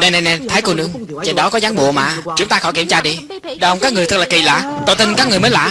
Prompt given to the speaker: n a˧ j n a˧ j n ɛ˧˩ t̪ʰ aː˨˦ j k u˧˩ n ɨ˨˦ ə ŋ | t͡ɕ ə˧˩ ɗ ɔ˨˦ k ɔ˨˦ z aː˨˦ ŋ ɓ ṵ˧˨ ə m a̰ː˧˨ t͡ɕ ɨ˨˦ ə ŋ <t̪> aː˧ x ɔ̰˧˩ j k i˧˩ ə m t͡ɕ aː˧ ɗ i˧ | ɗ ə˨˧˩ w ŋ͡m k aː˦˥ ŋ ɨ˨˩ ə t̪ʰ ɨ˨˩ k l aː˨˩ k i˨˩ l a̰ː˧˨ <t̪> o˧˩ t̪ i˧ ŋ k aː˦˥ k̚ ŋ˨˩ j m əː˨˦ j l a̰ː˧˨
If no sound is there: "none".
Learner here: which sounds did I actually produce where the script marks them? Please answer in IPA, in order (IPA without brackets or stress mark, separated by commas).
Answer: t̪, t̪